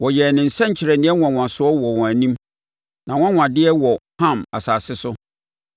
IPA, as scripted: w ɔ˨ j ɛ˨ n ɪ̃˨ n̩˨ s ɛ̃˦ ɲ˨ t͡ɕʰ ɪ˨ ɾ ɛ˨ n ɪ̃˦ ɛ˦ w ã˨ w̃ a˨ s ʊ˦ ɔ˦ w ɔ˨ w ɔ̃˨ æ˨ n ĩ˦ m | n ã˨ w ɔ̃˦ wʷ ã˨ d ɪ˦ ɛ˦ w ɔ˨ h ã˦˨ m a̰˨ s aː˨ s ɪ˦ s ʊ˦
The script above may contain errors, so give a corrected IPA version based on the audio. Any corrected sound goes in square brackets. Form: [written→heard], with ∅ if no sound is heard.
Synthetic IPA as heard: w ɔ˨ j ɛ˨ n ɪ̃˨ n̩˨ s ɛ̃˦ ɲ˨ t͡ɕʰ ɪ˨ ɾ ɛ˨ n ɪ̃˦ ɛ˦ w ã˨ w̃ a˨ s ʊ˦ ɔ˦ w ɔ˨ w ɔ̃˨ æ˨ n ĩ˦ m | n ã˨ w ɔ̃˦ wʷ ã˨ d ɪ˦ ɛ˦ w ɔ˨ h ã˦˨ m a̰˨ s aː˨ s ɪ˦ s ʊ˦